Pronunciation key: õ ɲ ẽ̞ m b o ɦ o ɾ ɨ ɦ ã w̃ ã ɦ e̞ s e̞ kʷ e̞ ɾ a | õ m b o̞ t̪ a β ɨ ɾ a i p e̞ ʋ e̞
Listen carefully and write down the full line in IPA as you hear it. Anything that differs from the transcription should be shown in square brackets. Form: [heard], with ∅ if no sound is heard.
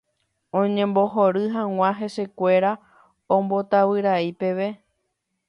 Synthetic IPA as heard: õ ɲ ẽ̞ m b o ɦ o ɾ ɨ ɦ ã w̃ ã ɦ e̞ s e̞ kʷ e̞ ɾ a | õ m b o̞ t̪ a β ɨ ɾ a i p e̞ ʋ e̞